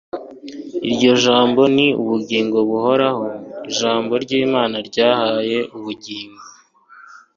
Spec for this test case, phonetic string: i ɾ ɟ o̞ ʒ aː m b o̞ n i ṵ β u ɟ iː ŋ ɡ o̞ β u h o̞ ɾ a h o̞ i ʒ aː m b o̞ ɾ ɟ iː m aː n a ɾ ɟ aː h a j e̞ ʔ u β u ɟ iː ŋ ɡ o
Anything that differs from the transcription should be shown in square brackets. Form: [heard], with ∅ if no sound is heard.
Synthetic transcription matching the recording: i ɾ ɟ o̞ ʒ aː m b o̞ n i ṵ β u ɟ iː ŋ ɡ o̞ β u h o̞ ɾ a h o̞ i ʒ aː m b o̞ ɾ ɟ iː m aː n a ɾ ɟ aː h a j e̞ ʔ u β u ɟ iː ŋ ɡ o